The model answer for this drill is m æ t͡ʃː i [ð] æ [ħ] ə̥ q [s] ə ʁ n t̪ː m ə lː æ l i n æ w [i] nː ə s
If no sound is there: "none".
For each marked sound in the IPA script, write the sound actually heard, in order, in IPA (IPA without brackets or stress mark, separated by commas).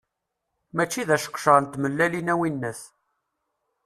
ð, ʃ, ʃ, i